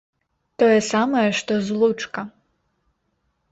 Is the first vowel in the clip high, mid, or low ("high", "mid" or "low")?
mid